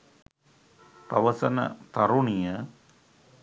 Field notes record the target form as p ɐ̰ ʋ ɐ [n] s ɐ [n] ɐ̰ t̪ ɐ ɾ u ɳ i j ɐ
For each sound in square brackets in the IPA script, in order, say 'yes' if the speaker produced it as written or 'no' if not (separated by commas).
no, yes